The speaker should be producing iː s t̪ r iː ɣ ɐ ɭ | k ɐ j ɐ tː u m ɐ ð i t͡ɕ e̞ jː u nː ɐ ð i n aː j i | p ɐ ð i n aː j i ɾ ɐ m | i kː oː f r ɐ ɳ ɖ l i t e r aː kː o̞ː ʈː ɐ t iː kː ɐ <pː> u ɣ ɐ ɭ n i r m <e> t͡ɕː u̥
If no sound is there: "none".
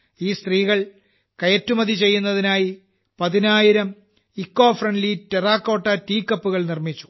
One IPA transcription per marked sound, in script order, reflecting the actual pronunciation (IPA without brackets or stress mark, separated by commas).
pː, i